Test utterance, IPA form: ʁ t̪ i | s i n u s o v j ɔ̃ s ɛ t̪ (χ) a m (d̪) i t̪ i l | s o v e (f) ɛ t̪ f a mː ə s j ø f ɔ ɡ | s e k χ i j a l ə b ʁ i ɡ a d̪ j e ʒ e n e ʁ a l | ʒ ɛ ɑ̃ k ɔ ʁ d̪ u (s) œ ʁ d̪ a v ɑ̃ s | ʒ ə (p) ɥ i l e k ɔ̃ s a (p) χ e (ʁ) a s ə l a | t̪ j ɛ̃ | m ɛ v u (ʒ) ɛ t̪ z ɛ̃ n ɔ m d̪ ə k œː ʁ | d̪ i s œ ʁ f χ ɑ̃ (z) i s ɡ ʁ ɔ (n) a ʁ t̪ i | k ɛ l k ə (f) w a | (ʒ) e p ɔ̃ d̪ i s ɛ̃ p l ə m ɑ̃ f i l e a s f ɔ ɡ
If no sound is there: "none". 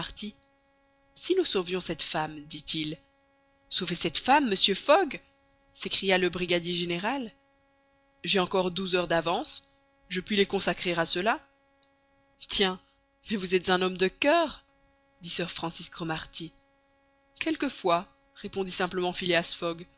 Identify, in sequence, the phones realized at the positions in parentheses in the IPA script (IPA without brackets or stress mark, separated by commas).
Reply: f, d̪, s, z, p, k, ʁ, z, s, m, f, ʁ